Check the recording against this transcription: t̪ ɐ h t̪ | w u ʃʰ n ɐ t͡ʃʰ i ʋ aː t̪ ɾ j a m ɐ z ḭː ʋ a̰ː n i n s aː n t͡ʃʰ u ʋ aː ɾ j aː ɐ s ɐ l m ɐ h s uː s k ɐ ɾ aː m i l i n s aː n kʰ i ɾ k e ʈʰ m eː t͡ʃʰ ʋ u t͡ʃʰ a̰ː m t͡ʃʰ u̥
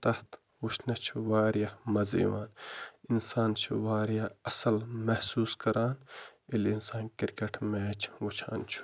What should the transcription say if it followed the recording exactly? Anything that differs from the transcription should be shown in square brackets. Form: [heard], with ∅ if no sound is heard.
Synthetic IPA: t̪ ɐ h t̪ | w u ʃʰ n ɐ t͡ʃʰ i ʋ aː [∅] ɾ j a m ɐ z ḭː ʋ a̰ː n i n s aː n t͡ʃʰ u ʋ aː ɾ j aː ɐ s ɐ l m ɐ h s uː s k ɐ ɾ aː [n] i l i n s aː n [k] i ɾ k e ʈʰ m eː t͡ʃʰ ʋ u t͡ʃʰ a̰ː [n] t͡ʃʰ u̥